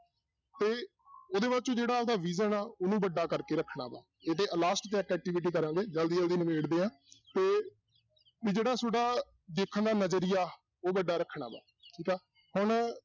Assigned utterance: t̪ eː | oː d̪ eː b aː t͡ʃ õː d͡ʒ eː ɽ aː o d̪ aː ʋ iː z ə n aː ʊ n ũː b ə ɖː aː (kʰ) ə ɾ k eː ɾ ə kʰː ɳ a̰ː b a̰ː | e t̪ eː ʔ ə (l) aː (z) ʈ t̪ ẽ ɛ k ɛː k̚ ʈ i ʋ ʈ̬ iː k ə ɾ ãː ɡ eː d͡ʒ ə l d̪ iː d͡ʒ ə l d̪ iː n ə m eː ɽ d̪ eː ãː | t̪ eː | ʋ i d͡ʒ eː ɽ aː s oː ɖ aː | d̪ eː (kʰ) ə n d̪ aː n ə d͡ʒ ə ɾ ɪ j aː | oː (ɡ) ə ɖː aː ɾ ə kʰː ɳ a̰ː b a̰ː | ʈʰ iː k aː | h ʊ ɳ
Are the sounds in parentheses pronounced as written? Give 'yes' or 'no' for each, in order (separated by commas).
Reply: no, yes, no, yes, no